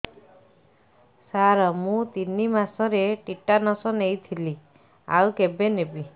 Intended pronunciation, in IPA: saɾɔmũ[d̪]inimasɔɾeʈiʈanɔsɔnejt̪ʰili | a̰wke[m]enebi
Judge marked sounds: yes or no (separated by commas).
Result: no, no